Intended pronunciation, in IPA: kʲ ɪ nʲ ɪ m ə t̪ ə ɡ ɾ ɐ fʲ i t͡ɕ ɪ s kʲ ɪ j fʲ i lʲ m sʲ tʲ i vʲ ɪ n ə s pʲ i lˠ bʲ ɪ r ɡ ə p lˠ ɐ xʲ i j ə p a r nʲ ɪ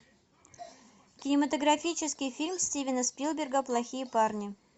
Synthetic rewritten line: kʲ ɪ nʲ ɪ m ə t̪ ə ɡ ɾ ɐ fʲ i t͡ɕ ɪ s kʲ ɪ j fʲ i lʲ m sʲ tʲ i vʲ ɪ n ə s pʲ i lˠ bʲ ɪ r ɡ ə p lˠ ɐ xʲ i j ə p a r nʲ ɪ